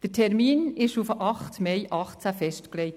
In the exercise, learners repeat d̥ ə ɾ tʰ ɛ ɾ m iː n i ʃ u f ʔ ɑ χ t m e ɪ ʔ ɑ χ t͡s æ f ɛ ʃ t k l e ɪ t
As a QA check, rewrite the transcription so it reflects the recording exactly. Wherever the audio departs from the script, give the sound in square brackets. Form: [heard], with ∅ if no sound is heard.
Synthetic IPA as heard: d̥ ə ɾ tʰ ɛ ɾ m iː n [ɪ] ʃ u f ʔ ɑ χ t m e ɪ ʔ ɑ χ t͡s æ f ɛ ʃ t k l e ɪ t

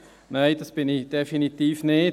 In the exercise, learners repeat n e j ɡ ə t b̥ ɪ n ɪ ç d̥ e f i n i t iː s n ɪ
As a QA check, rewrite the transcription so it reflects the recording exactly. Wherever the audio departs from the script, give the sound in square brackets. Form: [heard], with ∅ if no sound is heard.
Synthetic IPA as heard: n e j [d] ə [s] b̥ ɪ n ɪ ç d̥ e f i n i t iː [f] n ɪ

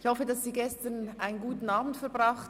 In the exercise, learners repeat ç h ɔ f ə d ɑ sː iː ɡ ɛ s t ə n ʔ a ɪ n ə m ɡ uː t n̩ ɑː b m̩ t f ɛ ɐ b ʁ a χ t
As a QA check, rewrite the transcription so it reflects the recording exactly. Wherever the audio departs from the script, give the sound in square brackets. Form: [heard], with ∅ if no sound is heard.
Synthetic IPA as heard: ç h ɔ f ə d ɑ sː iː ɡ ɛ s t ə n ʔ a ɪ n ə [n] ɡ uː t n̩ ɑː b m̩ t f ɛ ɐ b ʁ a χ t

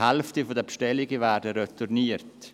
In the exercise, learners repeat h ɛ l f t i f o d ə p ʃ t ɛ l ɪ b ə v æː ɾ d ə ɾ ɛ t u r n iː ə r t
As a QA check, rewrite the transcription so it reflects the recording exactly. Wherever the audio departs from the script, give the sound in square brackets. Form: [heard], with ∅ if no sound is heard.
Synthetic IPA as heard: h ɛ l f t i f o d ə p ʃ t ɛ l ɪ [ɡ] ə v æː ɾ d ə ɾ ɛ t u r n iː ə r t

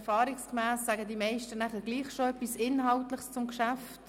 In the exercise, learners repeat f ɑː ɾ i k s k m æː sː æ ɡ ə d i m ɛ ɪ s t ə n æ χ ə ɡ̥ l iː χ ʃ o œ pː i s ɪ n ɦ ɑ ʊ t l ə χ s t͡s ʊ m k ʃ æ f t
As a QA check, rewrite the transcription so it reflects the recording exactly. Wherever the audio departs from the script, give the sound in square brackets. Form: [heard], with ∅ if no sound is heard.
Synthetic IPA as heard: f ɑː ɾ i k s k m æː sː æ ɡ ə d i m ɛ ɪ [ʃ] t ə n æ χ ə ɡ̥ l iː χ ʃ o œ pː i s ɪ n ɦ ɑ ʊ t l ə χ s t͡s ʊ m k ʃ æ f t

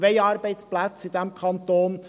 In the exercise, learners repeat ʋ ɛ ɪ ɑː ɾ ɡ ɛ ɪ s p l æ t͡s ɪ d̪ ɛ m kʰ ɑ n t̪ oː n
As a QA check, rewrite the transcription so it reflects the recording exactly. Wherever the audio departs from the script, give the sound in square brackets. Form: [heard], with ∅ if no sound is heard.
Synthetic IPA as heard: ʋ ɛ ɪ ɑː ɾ [b] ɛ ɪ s p l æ t͡s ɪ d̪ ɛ m kʰ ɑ n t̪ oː n

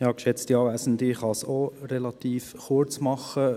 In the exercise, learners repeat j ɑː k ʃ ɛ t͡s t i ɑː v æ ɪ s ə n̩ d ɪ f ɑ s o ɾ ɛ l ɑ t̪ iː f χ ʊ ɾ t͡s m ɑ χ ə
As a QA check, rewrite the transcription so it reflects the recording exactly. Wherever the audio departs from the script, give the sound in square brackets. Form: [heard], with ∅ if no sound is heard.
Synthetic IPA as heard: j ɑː k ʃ ɛ t͡s t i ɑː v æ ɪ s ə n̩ d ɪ [χ] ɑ s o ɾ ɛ l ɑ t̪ iː f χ ʊ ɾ t͡s m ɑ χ ə

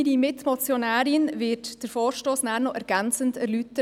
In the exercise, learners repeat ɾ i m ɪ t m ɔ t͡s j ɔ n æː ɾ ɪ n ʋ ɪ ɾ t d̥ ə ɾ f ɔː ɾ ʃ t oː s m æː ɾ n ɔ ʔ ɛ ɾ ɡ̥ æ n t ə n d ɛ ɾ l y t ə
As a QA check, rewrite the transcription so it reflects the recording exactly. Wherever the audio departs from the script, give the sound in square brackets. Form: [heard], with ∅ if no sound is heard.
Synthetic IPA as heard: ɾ i m ɪ t m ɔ t͡s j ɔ n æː ɾ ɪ n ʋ ɪ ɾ t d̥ ə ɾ f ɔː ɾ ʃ t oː s [n] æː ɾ n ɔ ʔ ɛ ɾ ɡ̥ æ n [t͡s] ə n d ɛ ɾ l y t ə

